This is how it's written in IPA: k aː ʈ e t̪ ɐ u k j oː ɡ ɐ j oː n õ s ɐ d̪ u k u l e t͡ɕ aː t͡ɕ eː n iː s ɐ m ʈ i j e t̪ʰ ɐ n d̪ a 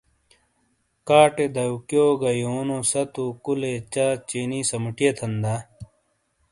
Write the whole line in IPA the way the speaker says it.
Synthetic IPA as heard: k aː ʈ e d̪ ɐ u k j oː ɡ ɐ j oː n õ s ɐ t̪ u k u l e t͡ɕ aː t͡ɕ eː n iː s ɐ m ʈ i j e t̪ʰ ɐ n d̪ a